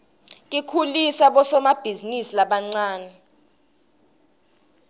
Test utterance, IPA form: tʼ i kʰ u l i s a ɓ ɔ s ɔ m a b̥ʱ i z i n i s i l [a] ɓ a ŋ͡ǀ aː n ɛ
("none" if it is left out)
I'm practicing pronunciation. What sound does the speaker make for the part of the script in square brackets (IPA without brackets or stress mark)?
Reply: a